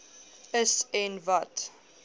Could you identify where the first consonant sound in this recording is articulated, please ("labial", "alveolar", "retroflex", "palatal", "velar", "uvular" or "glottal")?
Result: alveolar